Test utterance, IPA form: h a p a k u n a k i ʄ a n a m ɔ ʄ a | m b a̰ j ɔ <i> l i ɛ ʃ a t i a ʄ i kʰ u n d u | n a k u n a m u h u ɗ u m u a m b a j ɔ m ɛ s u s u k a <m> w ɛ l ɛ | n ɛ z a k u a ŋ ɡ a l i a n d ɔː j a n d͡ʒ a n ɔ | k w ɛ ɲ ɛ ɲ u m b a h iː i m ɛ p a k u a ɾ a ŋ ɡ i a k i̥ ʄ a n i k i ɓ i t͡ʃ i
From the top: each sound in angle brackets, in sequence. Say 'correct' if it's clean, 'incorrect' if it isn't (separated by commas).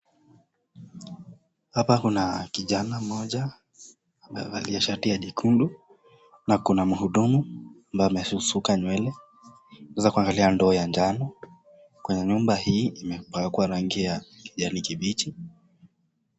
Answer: incorrect, incorrect